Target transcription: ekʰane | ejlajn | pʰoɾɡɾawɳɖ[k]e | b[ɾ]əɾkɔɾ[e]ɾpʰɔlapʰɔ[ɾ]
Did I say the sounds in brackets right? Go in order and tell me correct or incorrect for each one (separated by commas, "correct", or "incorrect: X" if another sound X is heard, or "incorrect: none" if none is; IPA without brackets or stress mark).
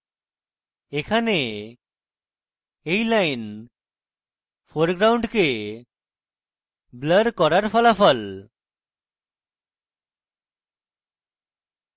correct, incorrect: l, incorrect: a, incorrect: l